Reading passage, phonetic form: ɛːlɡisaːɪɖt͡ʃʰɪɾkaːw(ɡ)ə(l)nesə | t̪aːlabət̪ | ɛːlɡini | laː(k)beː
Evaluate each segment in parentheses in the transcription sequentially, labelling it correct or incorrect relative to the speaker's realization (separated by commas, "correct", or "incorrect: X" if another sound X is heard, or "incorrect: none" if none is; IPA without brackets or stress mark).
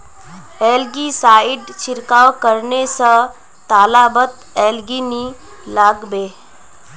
incorrect: k, incorrect: ɾ, incorrect: ɡ